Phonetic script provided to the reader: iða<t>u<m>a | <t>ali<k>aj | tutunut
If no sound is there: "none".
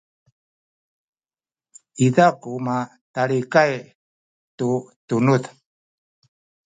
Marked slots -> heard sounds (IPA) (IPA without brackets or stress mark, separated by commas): k, m, t, k